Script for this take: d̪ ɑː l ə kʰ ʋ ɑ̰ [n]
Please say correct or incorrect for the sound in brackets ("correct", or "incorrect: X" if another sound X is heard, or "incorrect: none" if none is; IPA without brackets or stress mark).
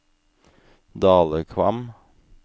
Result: incorrect: m